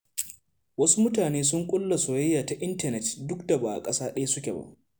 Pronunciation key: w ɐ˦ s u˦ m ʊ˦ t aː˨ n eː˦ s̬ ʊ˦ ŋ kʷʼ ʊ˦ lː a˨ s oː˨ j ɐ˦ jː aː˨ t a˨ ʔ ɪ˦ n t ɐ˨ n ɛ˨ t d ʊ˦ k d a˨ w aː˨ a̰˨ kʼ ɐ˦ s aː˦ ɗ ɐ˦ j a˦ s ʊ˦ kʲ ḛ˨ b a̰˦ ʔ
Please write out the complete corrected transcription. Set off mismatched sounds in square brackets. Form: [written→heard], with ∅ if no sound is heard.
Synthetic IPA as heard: w ɐ˦ s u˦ m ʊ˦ t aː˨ n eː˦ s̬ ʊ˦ ŋ kʷʼ ʊ˦ lː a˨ s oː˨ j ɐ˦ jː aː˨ t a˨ ʔ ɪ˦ n t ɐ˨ n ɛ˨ t d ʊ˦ k d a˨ [w→b] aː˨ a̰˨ kʼ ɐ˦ s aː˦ ɗ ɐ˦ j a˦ s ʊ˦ kʲ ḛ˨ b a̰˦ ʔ

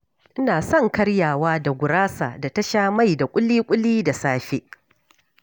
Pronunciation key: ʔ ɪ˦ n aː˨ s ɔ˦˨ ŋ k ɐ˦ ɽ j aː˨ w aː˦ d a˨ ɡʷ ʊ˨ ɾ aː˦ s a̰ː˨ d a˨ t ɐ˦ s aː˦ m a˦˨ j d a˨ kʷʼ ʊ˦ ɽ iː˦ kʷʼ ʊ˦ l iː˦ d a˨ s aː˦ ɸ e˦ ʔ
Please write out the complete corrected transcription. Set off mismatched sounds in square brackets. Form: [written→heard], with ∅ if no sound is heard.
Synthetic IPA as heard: ʔ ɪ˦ n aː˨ s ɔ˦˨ ŋ k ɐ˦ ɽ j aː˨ w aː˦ d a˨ ɡʷ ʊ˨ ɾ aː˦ s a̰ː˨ d a˨ t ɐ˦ [s→ʃ] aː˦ m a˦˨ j d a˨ kʷʼ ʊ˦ [ɽ→l] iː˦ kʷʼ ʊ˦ l iː˦ d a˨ s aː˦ ɸ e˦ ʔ

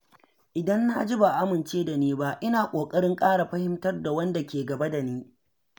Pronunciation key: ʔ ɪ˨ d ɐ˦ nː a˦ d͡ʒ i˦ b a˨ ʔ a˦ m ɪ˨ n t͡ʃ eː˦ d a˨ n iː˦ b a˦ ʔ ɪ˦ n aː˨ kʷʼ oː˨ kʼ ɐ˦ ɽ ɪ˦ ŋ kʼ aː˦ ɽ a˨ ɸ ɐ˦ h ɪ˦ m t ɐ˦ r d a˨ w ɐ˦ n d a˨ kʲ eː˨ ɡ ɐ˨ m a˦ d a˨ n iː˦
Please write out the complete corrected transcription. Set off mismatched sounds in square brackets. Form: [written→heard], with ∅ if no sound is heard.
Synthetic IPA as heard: ʔ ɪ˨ d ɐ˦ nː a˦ d͡ʒ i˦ b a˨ ʔ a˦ m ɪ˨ n t͡ʃ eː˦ d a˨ n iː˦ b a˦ ʔ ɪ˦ n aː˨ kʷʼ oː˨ kʼ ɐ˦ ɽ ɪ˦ ŋ kʼ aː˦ ɽ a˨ ɸ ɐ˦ h ɪ˦ m t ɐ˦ r d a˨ w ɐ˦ n d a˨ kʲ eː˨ ɡ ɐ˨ [m→b] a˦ d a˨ n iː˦

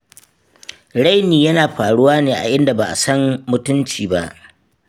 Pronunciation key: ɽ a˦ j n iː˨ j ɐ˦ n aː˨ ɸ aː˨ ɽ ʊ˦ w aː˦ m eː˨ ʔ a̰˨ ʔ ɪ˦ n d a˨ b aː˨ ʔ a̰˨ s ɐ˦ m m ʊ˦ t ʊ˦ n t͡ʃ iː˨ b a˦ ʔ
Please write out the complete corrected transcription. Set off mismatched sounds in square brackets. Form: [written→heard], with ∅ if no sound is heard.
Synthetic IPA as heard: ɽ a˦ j n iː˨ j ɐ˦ n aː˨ ɸ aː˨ ɽ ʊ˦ w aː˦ [m→n] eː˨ ʔ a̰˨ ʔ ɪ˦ n d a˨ b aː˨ ʔ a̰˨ s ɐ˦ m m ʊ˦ t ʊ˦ n t͡ʃ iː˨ b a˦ ʔ

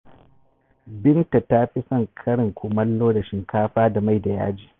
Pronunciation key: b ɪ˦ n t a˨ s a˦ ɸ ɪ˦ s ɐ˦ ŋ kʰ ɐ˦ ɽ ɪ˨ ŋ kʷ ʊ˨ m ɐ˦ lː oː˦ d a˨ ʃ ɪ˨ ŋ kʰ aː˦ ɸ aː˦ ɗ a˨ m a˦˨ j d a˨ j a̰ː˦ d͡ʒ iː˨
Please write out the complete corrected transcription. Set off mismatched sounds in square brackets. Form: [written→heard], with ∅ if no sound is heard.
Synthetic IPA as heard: b ɪ˦ n t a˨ [s→t] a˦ ɸ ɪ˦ s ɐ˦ ŋ kʰ ɐ˦ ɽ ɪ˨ ŋ kʷ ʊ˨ m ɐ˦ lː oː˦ d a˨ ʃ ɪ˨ ŋ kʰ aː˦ ɸ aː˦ [ɗ→d] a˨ m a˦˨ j d a˨ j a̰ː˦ d͡ʒ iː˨

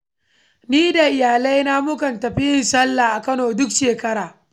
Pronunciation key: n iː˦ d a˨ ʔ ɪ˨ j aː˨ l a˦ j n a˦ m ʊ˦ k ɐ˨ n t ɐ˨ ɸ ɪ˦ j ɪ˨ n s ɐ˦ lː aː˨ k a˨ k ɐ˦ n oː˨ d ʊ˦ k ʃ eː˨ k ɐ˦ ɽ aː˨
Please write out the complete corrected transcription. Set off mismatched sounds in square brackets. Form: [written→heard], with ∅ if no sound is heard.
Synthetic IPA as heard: n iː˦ d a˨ ʔ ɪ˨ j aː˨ l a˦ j n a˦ m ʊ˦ k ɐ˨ n t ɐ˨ ɸ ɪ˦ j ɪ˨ n s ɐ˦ lː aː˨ [k→ʔ] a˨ k ɐ˦ n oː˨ d ʊ˦ k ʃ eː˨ k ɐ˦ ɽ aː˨

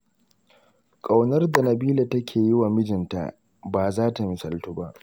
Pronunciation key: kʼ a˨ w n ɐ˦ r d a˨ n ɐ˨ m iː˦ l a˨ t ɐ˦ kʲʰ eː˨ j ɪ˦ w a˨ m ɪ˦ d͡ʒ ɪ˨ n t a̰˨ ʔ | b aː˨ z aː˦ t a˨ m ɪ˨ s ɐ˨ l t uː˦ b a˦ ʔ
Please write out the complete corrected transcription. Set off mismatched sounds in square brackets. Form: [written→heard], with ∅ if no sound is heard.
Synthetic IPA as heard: kʼ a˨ w n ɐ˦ r d a˨ n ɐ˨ [m→b] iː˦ l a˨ t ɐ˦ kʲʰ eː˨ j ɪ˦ w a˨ m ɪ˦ d͡ʒ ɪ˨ n t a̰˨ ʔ | b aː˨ z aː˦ t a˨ m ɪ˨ s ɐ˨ l t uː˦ b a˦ ʔ

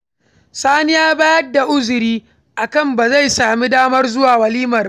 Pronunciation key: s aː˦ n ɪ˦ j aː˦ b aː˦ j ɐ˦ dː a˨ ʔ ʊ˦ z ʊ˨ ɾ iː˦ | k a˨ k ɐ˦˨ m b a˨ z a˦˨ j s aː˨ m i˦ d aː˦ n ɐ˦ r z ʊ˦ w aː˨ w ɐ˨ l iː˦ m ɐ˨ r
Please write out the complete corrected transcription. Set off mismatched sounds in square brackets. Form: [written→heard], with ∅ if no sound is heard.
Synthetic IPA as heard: s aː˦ n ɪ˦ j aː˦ b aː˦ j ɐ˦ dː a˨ ʔ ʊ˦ z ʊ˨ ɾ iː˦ | [k→ʔ] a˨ k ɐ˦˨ m b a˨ z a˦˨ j s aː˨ m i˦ d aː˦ [n→m] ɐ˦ r z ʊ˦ w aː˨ w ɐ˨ l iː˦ m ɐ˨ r

